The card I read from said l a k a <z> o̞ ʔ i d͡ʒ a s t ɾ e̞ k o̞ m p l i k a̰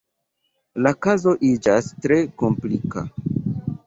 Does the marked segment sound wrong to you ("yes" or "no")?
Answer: no